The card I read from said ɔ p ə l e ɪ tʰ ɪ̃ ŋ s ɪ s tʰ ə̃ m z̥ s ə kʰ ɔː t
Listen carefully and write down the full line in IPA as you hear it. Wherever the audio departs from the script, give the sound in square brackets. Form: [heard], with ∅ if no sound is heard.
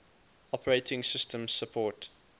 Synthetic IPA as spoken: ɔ p ə [ɹ] e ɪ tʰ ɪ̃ ŋ s ɪ s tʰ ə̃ m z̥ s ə [pʰ] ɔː t